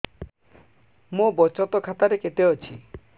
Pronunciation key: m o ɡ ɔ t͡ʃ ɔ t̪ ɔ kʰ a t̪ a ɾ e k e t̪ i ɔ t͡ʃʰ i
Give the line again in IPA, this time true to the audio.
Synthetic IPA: m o b ɔ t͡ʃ ɔ t̪ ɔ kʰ a t̪ a ɾ e k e t̪ e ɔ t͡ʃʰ i